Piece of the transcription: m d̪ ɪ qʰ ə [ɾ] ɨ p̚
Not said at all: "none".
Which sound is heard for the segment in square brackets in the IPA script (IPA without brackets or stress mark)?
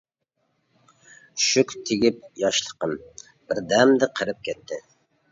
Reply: ɾ